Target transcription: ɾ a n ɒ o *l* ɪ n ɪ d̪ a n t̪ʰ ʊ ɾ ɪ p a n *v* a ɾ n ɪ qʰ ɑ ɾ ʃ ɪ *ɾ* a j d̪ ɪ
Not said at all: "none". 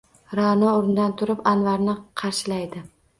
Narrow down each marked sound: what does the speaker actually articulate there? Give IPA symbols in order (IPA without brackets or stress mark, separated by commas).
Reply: ɾ, v, l